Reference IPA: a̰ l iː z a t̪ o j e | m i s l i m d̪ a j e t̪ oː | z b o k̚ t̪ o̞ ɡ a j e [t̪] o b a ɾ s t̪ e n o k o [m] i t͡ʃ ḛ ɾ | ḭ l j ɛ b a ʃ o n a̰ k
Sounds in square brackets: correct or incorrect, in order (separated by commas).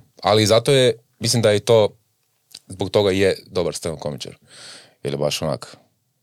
incorrect, correct